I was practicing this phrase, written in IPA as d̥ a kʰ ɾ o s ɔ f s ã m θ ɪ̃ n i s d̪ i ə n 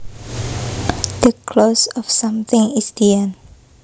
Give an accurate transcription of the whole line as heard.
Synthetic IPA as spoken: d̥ ə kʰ l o s ɔ f s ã m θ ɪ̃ ŋ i s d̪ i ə n